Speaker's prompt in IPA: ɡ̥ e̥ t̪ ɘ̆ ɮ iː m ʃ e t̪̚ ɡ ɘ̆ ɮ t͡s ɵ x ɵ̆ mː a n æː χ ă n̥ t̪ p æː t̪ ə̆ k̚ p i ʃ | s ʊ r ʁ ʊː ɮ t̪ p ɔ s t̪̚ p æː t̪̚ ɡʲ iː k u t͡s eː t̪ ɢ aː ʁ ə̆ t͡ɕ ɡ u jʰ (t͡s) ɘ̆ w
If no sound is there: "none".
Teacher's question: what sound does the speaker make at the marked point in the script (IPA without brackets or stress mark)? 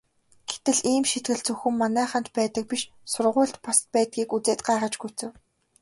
t͡s